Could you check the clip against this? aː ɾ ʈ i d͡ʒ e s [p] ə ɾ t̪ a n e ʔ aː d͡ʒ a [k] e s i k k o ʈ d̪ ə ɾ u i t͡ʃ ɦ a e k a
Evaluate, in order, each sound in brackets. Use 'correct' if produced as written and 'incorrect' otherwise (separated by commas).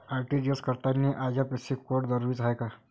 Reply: incorrect, incorrect